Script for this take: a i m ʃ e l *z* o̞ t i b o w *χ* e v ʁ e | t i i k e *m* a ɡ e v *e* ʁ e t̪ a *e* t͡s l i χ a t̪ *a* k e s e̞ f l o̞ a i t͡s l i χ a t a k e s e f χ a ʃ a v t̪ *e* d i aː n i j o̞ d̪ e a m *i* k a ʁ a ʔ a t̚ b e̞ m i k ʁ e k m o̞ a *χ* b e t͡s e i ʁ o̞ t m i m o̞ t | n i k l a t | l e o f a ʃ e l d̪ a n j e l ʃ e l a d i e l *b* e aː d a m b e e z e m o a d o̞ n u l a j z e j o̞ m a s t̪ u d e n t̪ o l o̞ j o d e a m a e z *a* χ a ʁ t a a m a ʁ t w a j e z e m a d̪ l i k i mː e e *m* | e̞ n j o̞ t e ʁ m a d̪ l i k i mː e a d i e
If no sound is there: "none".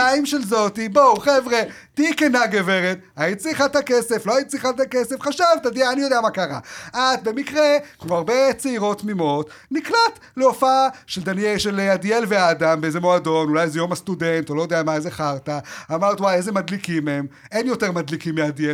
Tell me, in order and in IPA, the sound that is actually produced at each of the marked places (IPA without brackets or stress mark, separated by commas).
z, χ, n, e, i, a, a, a, ʁ, v, e, m